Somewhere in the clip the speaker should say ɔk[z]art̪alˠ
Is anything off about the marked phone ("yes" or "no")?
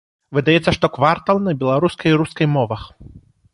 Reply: yes